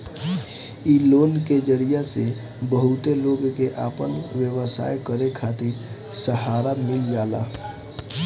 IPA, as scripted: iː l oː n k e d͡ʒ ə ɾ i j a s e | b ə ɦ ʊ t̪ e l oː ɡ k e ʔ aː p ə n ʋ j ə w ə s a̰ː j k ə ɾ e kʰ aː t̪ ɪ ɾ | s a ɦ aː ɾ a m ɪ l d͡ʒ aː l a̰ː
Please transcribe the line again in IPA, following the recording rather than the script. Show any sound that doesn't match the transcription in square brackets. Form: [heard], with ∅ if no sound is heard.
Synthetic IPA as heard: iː l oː n k e d͡ʒ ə ɾ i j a s e | b ə ɦ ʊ t̪ e l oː ɡ k e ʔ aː p ə n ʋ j ə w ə s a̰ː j k ə ɾ e kʰ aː t̪ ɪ ɾ | s [ə] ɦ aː ɾ a m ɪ l d͡ʒ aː l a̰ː